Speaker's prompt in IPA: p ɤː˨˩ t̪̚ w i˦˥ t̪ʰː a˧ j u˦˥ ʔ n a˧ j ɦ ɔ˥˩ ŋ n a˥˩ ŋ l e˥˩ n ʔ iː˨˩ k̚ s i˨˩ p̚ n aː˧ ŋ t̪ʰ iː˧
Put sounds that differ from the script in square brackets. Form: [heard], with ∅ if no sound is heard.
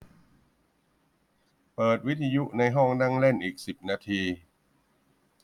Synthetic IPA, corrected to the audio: p ɤː˨˩ t̪̚ w i˦˥ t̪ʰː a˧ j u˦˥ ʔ n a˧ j ɦ ɔ˥˩ ŋ n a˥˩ ŋ l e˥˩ n ʔ iː˨˩ k̚ s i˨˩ p̚ n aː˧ [∅] t̪ʰ iː˧